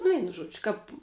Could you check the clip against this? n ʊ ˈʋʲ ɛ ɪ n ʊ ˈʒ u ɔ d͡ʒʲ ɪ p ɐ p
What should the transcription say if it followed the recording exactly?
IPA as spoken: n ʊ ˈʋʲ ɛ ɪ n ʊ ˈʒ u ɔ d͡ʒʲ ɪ k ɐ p